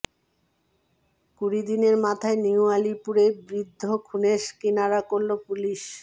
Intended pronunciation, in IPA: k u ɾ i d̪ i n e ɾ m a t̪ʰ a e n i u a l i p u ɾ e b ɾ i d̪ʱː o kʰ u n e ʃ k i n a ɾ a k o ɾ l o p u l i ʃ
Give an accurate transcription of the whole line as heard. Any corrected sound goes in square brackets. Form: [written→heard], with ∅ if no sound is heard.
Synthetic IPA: k u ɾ i d̪ i n e ɾ m a t̪ʰ a e n i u a l i p u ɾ e b ɾ i d̪ʱː o kʰ u n e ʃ k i n a ɾ a k o ɾ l o p u l i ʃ